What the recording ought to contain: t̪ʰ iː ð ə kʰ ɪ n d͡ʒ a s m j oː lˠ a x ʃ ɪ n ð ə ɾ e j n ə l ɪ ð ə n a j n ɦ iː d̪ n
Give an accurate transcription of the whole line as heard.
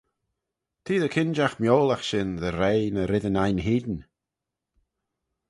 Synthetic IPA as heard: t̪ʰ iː ð ə kʰ ɪ n d͡ʒ a x m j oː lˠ a x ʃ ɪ n ð ə ɾ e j n ə ɾ ɪ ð ə n a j n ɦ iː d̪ n